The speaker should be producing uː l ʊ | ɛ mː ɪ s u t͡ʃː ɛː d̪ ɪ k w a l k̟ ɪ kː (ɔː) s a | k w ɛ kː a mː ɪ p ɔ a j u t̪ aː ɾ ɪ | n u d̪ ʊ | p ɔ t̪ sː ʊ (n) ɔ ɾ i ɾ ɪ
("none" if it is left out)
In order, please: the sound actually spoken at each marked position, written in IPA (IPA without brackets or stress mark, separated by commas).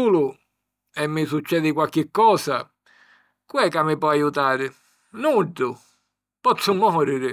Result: ɔː, m